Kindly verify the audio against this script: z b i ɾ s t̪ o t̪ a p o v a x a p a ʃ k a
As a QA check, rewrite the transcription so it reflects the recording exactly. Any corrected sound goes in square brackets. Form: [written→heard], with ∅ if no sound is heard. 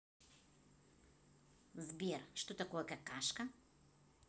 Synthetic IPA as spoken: z b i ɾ [s→ʃ] t̪ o t̪ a [p→k] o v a [x→k] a [p→k] a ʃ k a